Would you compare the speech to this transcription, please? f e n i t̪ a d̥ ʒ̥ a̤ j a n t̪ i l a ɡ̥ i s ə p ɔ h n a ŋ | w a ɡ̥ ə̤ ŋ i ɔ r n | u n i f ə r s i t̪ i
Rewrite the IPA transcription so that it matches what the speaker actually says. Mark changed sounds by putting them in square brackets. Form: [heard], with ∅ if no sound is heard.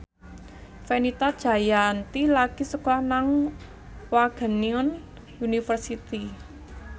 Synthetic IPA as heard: f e n i t̪ a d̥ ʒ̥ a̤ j a n t̪ i l a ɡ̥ i s ə [k] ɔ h n a ŋ | w a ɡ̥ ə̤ [n] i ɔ [∅] n | u n i f ə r s i t̪ i